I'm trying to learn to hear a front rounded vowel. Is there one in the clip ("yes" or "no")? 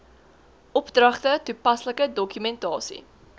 yes